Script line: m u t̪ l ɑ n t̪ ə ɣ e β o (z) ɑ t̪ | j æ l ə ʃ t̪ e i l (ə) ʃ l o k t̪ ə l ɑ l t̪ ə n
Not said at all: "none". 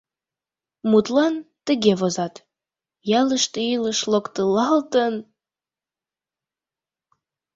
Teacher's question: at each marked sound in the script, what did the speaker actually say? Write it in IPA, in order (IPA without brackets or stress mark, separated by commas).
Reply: z, ə